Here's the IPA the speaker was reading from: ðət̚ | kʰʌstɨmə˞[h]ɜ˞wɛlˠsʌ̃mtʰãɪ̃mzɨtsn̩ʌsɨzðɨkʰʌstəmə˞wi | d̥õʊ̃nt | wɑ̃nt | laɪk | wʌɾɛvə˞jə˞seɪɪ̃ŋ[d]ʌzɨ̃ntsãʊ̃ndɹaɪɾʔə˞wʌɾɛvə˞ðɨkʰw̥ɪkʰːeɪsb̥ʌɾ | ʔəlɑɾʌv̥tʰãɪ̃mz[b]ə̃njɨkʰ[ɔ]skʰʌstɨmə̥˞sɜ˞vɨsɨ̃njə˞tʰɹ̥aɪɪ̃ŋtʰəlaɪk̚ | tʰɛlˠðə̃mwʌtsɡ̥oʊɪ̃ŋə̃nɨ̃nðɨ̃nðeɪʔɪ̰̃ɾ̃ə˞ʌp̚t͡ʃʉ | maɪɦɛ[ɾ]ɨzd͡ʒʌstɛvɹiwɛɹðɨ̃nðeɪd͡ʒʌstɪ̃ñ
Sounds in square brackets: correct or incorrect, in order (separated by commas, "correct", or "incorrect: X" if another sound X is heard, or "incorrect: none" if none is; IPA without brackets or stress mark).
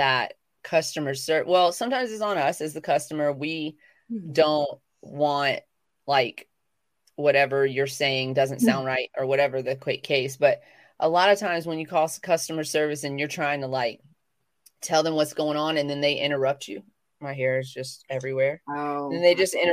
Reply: incorrect: s, correct, incorrect: w, correct, incorrect: ɹ